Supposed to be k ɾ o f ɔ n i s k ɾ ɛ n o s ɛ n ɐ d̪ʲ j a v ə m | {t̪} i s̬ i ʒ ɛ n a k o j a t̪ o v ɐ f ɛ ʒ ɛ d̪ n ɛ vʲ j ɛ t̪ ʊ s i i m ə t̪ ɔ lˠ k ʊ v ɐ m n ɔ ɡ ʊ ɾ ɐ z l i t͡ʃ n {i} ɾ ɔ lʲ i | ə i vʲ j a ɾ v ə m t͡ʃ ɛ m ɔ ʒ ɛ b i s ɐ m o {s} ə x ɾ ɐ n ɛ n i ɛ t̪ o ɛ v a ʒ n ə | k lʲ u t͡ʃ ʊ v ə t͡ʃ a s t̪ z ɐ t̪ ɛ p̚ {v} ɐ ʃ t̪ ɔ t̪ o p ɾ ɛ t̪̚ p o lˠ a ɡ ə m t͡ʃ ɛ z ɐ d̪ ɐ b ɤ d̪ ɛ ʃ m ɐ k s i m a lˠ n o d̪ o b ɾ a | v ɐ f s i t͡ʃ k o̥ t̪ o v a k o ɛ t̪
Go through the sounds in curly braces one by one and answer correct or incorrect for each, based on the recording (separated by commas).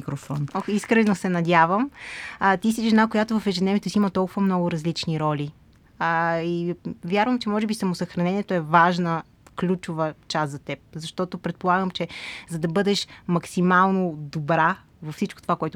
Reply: correct, correct, correct, incorrect